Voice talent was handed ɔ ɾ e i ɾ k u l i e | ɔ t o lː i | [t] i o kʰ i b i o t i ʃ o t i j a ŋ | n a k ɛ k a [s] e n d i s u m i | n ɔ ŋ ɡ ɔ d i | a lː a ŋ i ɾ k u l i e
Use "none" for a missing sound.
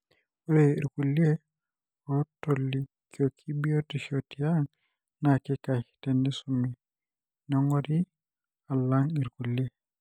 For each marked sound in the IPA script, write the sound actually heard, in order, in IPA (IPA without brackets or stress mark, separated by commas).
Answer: k, t